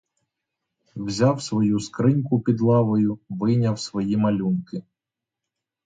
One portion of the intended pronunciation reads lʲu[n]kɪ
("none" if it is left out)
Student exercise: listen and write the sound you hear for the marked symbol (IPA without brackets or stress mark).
n